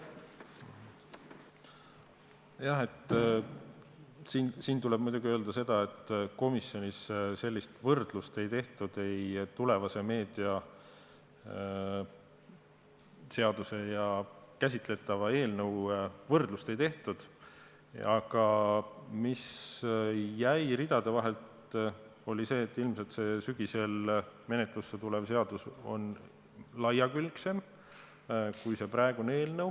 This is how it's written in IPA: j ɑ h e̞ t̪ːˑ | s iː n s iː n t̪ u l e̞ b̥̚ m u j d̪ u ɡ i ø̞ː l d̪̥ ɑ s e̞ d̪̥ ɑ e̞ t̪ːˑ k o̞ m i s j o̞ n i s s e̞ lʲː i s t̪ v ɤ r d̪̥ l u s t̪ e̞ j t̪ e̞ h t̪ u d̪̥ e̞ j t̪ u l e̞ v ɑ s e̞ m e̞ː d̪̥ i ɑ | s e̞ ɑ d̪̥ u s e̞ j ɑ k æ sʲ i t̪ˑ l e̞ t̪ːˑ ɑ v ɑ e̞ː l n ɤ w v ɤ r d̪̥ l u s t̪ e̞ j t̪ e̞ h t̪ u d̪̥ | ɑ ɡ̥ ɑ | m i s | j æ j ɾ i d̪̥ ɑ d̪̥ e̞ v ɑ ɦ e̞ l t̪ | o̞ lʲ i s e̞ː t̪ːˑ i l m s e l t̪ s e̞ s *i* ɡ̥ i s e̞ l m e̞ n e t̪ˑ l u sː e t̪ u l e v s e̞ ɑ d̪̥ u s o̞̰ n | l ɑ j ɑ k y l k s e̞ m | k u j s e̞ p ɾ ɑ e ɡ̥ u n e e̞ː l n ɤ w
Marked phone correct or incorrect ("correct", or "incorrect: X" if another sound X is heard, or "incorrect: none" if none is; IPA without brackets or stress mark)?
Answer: incorrect: y